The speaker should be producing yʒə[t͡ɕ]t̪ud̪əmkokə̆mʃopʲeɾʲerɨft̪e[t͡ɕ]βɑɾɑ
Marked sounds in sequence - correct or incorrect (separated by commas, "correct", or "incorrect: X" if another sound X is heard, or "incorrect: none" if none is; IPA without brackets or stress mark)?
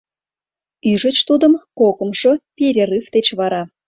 correct, correct